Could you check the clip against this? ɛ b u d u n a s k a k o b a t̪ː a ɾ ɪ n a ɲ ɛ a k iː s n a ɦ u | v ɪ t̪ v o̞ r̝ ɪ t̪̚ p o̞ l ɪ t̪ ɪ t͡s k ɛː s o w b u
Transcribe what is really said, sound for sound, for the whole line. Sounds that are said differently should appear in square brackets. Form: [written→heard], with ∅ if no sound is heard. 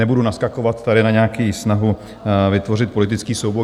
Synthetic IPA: ɛ b u d u n a s k a k o [b→v] a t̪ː a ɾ ɪ n a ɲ ɛ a k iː s n a ɦ u | v ɪ t̪ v o̞ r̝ ɪ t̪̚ p o̞ l ɪ t̪ ɪ t͡s k [ɛː→iː] s o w b [u→o]